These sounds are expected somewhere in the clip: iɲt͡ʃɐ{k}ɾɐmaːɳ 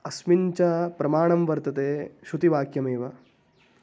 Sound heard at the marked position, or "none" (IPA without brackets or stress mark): p